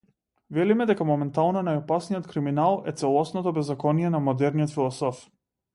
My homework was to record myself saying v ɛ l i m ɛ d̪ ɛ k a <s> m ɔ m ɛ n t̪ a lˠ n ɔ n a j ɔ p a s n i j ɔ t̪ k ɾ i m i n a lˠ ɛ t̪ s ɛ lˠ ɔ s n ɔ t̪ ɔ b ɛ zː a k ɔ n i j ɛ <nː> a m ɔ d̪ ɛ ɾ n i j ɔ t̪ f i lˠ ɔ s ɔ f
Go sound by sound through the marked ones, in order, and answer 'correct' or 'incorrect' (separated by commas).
incorrect, incorrect